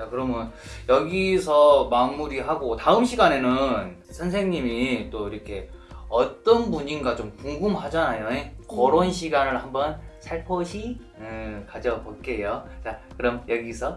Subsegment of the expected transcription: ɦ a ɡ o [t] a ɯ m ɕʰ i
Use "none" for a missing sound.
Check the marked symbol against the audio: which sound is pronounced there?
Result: t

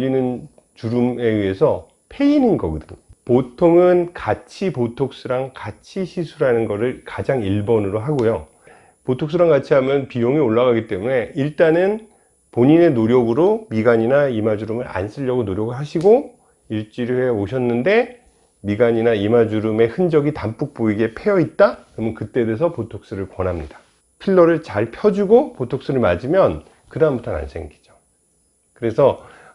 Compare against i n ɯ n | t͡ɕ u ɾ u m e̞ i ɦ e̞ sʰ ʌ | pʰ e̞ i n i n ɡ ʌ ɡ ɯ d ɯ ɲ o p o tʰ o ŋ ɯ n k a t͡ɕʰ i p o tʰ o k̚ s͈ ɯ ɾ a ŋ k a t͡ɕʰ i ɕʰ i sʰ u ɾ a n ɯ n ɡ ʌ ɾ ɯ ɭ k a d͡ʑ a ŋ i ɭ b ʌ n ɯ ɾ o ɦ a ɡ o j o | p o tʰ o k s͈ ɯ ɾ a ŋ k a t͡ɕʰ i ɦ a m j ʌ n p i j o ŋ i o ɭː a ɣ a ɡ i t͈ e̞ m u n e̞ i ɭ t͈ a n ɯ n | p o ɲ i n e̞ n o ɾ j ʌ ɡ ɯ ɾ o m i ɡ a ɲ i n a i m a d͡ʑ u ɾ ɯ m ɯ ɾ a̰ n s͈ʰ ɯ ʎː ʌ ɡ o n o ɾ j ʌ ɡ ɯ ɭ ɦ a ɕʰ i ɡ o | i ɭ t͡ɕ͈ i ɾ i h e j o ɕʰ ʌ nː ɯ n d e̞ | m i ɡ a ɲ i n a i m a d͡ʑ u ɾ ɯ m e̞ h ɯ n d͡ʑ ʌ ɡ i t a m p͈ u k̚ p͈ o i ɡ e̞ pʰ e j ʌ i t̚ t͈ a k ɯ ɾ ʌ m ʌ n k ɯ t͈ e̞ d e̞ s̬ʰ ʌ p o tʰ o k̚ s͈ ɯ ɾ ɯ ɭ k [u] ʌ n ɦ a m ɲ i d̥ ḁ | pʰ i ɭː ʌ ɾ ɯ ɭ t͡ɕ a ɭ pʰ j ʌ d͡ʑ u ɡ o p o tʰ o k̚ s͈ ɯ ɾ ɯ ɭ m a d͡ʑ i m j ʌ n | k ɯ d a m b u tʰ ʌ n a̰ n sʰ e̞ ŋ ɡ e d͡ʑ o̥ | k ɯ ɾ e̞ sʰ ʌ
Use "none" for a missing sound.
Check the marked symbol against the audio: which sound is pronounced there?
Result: w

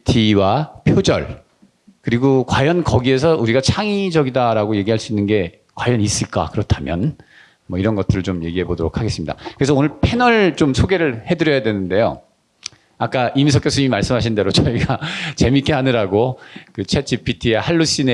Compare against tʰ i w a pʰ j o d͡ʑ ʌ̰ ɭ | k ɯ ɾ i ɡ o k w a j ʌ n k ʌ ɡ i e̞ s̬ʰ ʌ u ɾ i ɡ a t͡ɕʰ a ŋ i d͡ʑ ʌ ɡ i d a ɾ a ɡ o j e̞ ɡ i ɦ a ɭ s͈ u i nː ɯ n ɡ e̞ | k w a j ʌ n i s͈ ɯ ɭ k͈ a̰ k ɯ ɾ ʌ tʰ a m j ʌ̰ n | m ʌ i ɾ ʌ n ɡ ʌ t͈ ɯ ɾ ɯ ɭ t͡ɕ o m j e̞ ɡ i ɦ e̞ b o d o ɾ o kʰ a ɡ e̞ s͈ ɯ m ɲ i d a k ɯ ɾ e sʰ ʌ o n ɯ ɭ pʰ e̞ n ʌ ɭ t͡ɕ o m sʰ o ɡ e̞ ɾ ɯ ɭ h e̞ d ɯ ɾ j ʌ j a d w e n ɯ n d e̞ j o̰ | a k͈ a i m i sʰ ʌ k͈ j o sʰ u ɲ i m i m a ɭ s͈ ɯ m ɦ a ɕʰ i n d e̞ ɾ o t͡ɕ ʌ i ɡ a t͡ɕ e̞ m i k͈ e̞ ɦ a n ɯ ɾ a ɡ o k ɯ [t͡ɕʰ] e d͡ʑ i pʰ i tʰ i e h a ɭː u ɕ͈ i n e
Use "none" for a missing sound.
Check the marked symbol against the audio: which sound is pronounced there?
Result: t͡ɕʰ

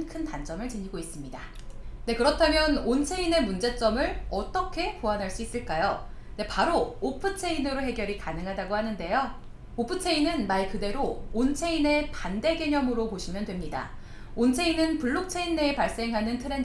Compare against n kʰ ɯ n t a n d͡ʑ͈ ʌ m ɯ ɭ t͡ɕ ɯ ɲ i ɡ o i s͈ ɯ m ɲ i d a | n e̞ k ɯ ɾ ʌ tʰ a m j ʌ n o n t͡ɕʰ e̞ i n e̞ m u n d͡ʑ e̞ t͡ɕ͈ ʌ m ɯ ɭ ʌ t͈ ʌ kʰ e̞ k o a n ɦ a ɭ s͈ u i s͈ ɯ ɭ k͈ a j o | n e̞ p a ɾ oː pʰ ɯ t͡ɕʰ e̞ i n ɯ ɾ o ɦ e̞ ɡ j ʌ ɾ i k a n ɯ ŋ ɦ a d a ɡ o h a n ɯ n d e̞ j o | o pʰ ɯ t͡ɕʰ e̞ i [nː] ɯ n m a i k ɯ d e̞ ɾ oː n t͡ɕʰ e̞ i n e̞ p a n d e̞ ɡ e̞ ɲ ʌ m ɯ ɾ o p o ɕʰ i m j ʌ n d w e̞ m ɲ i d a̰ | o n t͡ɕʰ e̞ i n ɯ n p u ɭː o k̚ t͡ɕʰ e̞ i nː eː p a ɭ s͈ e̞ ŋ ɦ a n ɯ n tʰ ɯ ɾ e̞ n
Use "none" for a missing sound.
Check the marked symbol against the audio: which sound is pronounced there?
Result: n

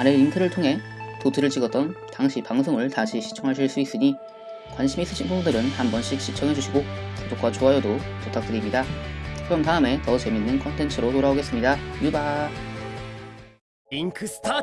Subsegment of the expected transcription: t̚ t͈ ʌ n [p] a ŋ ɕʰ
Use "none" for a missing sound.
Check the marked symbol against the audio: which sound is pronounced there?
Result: t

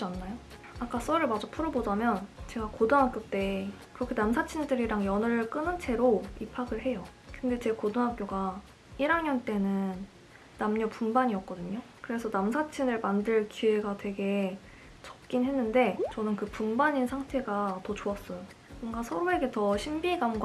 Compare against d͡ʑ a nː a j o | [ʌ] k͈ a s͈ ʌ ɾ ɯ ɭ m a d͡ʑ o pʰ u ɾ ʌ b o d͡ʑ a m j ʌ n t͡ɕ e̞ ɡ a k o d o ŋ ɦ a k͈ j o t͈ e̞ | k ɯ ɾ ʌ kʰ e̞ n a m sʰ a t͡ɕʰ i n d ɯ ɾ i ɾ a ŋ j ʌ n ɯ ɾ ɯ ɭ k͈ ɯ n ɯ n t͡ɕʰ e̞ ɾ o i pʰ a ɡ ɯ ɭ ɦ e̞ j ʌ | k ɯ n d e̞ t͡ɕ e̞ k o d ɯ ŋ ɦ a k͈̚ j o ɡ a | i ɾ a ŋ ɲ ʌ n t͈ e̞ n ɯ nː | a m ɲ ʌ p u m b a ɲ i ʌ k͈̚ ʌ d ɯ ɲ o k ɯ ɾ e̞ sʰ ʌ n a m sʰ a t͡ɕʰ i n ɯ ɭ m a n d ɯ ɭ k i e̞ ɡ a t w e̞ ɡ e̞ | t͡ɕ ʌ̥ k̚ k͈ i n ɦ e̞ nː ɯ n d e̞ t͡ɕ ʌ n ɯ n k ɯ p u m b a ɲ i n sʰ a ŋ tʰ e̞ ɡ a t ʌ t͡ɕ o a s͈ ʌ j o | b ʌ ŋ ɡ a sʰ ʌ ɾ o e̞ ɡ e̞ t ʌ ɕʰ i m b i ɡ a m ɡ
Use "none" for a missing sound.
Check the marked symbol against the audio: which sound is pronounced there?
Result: a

